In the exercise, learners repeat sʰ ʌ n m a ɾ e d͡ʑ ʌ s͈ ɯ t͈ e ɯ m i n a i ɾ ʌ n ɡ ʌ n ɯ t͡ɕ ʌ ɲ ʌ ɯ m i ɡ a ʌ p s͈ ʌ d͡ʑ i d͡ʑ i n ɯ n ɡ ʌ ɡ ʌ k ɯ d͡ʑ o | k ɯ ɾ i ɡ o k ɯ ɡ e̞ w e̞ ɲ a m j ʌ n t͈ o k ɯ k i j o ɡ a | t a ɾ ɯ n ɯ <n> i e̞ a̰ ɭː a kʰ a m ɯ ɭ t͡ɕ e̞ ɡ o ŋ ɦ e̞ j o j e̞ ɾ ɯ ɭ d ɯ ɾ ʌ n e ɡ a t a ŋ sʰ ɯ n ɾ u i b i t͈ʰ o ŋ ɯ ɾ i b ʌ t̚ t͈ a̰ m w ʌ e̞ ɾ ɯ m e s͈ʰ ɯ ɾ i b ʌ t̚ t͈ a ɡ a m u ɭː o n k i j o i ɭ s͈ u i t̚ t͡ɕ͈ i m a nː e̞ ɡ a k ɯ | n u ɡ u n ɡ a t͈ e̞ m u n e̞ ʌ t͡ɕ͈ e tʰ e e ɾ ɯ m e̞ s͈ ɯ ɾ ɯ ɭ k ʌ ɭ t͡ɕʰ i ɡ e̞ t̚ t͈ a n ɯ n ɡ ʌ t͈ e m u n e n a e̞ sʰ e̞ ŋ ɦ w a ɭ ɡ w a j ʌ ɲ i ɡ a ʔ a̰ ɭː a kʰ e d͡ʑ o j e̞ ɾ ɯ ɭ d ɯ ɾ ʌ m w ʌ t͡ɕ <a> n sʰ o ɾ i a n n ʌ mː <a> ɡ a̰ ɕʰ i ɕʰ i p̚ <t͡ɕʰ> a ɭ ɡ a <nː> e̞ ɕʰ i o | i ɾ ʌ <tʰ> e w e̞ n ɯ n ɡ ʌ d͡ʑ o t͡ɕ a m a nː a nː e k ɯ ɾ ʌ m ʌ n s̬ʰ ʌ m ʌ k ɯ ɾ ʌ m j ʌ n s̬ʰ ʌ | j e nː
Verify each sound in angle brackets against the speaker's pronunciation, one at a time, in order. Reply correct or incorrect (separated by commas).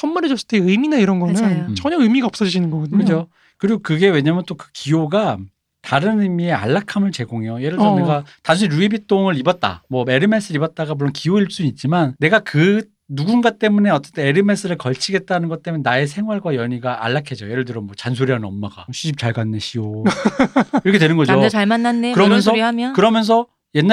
incorrect, correct, correct, incorrect, correct, incorrect